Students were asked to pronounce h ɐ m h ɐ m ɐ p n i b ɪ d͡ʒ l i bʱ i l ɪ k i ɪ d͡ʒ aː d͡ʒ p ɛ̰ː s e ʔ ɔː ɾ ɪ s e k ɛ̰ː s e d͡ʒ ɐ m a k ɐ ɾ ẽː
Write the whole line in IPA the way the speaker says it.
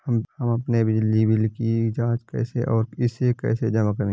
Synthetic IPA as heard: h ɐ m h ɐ m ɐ p n e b ɪ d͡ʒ l i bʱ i l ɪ k i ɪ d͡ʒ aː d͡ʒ k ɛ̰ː s e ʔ ɔː ɾ ɪ s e k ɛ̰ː s e d͡ʒ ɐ m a k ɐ ɾ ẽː